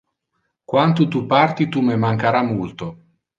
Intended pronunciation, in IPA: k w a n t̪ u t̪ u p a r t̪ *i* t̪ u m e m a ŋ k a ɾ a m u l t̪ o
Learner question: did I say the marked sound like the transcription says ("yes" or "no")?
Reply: yes